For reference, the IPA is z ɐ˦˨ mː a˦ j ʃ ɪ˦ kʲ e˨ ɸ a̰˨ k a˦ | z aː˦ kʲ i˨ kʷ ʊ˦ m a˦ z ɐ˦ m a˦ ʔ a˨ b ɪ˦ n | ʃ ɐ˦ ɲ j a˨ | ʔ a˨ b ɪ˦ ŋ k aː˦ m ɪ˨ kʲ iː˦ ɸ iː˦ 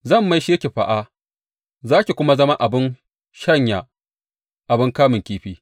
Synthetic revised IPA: z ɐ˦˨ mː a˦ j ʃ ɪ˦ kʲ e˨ ɸ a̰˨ ʔ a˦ | z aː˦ kʲ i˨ kʷ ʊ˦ m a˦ z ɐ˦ m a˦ ʔ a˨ b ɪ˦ n | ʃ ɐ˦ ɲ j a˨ | ʔ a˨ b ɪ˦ ŋ k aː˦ m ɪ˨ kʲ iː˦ ɸ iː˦